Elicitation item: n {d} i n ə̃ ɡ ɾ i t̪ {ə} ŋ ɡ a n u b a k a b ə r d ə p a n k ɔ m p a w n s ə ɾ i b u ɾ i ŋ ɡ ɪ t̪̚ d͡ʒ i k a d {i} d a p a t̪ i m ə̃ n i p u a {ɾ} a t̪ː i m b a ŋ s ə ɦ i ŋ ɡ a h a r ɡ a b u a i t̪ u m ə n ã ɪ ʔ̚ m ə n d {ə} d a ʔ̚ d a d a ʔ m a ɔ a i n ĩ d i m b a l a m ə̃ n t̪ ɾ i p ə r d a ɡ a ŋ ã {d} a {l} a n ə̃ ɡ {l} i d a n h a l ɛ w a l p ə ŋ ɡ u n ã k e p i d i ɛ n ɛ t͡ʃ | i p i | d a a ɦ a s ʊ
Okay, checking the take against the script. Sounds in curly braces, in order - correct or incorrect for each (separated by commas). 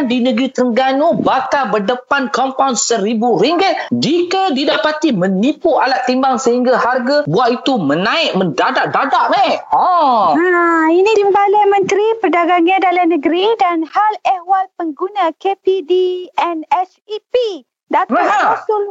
correct, correct, correct, incorrect, incorrect, correct, correct, incorrect